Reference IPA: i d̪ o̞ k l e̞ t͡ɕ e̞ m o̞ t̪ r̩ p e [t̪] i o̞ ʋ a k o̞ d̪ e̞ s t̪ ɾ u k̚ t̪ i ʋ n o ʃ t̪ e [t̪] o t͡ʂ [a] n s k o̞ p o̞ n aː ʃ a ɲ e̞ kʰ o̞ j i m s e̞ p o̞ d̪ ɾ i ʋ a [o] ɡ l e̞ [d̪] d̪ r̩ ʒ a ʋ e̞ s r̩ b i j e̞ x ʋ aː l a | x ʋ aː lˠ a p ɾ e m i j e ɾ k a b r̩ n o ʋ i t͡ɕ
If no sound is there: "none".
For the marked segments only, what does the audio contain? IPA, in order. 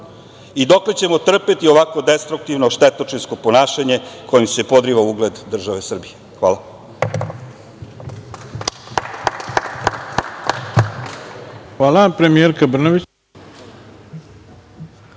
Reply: t̪, t̪, i, u, d̪

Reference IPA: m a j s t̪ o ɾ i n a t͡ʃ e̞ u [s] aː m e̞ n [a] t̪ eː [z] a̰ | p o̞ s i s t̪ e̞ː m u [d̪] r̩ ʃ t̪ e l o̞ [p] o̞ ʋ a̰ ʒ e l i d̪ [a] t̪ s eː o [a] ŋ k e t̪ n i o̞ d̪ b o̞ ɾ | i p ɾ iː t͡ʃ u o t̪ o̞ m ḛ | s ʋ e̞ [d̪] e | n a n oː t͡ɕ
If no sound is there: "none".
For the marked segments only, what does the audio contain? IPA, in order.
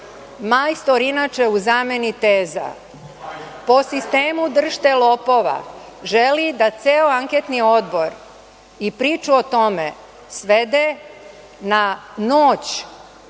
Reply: z, i, z, d̪, p, a, a, d̪

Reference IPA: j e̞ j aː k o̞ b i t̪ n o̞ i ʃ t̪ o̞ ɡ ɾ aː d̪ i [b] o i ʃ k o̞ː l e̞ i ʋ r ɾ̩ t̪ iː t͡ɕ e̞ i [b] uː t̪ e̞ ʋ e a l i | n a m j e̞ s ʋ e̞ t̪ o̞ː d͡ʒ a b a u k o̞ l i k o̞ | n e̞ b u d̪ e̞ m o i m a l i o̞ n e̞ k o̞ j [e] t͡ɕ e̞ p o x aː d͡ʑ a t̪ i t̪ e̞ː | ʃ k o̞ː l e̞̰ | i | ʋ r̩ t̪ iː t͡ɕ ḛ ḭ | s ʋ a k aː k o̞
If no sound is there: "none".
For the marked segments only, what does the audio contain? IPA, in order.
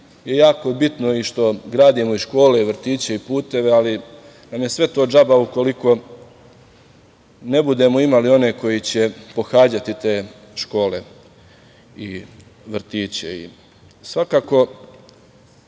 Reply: m, p, i

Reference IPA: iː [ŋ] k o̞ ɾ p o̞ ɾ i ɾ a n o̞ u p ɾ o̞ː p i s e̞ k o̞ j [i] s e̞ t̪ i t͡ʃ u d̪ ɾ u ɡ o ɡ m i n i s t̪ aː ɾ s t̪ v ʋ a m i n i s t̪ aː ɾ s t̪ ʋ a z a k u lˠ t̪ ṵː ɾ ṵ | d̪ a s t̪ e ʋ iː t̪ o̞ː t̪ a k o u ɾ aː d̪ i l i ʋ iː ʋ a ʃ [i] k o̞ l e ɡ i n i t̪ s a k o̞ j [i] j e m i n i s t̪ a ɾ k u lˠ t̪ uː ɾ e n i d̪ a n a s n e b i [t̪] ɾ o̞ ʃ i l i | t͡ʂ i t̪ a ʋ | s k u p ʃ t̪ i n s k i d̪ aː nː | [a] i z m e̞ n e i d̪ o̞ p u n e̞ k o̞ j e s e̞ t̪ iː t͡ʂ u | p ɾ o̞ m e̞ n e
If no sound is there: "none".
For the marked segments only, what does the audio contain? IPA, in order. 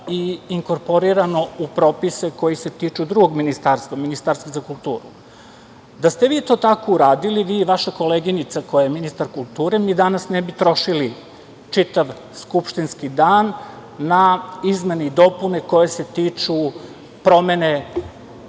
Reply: ŋ, i, a, a, t̪, a

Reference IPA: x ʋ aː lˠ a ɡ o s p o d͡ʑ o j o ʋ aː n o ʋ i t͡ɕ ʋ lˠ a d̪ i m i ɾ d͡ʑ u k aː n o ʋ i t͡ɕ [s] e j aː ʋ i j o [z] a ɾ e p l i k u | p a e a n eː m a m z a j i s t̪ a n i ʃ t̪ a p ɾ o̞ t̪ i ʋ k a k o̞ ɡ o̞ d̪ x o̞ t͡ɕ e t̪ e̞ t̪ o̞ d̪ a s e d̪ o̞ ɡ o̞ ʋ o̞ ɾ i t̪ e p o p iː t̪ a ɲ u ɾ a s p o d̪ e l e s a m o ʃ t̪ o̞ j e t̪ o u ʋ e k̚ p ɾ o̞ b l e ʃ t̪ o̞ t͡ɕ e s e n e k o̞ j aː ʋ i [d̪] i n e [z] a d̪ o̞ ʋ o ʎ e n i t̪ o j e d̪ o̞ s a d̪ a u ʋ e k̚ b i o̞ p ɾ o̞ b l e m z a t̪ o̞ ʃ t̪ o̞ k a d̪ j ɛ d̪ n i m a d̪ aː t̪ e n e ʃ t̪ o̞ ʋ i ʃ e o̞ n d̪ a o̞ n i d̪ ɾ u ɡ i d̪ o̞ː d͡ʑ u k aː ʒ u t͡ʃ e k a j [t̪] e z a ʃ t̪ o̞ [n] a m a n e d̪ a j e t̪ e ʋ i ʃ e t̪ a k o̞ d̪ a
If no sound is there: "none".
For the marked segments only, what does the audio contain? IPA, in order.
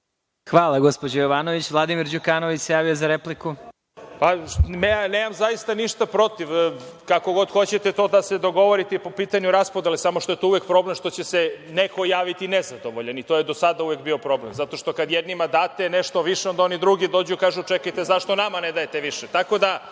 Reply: s, z, t̪, z, t̪, n

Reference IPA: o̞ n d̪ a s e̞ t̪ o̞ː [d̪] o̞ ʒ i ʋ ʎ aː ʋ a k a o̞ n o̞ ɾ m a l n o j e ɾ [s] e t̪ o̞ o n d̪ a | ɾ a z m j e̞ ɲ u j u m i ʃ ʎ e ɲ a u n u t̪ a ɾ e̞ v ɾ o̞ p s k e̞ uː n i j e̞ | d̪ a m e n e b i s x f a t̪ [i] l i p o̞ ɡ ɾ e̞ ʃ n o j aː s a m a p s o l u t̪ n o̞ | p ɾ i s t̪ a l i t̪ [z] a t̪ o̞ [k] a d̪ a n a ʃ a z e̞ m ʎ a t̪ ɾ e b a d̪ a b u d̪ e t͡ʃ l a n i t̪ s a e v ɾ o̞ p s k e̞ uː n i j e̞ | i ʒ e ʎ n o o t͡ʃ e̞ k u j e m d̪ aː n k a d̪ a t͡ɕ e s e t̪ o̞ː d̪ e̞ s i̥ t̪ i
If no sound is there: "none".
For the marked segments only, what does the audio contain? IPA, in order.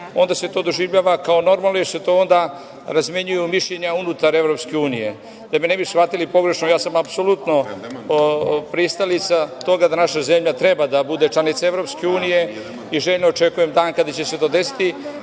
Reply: d̪, s, i, s, ɡ

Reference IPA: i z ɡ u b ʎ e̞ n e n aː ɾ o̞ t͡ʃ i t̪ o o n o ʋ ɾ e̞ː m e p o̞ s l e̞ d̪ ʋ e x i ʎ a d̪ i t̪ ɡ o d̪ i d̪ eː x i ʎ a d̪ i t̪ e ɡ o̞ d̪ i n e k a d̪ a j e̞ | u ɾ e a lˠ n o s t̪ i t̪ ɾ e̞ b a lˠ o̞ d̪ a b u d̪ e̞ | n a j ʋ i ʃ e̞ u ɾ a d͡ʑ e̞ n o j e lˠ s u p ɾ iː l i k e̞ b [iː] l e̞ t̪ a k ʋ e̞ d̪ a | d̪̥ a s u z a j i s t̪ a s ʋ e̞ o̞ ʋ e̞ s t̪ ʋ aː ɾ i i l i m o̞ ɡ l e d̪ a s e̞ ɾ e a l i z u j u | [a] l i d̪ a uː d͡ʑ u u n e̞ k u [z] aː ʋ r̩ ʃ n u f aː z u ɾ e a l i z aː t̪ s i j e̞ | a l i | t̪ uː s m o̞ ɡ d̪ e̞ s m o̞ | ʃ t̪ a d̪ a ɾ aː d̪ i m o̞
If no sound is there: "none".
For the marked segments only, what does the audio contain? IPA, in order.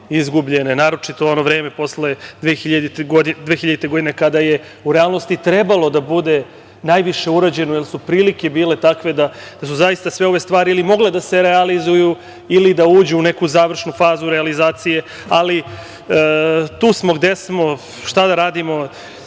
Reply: iː, i, z

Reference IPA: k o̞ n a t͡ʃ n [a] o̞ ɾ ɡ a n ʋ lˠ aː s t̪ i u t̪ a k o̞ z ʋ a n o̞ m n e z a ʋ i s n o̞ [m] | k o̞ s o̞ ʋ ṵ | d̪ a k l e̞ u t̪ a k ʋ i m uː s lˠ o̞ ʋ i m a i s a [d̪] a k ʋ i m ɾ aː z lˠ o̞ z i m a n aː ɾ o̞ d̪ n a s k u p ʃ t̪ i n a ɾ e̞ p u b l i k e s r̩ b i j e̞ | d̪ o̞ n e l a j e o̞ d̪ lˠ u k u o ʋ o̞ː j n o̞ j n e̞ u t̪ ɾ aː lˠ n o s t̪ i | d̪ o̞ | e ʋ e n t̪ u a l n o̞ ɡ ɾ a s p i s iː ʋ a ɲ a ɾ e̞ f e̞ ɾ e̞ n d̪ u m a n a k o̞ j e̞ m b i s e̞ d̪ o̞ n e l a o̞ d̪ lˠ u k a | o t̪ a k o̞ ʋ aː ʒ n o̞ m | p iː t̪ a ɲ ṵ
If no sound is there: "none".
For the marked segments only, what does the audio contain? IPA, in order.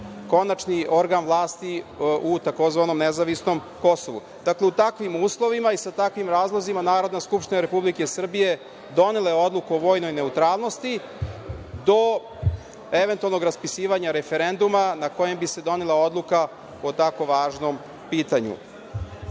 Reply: i, m, t̪

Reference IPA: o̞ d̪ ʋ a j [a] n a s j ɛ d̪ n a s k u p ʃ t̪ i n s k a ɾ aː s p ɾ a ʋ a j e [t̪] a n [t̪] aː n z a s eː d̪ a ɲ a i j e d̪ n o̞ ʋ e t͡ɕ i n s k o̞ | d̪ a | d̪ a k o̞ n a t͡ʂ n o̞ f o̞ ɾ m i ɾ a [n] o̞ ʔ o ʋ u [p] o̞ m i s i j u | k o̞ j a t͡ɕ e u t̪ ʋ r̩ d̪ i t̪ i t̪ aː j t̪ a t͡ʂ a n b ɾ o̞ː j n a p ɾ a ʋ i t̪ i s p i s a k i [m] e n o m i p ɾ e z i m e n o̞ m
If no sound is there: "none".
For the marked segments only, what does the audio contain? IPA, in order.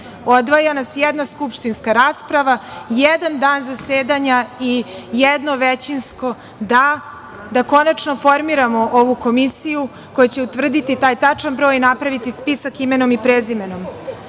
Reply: a, d̪, d̪, m, k, m

